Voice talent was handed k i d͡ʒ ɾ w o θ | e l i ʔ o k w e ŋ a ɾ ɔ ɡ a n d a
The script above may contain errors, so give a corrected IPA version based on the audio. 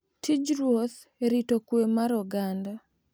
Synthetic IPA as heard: t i d͡ʒ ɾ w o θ | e ɾ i t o k w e m a ɾ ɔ ɡ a n d a